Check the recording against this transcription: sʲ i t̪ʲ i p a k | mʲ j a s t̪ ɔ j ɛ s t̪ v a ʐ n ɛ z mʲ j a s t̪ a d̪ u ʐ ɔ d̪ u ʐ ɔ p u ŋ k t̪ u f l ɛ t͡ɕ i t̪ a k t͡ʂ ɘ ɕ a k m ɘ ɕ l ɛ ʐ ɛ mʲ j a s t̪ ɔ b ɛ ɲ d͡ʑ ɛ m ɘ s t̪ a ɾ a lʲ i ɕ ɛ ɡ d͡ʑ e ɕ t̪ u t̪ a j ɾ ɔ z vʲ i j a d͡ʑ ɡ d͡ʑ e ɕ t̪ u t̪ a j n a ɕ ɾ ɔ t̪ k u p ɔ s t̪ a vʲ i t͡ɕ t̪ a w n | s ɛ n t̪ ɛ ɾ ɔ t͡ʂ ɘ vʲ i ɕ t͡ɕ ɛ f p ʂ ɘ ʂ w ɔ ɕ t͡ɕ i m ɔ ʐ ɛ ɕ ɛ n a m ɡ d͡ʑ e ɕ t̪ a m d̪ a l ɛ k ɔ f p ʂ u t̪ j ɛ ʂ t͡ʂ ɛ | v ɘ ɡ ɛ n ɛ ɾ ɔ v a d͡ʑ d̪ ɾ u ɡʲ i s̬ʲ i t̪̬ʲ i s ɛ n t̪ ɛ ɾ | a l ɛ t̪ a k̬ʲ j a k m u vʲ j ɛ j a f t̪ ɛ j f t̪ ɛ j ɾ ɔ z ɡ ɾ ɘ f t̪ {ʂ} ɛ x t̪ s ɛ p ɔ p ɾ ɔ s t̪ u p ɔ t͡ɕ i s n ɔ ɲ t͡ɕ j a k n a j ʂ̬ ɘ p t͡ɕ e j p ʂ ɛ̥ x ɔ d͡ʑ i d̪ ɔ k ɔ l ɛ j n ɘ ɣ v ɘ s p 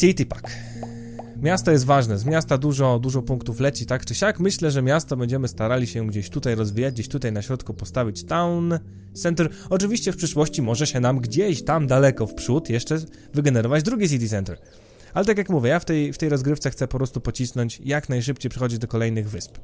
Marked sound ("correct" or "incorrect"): incorrect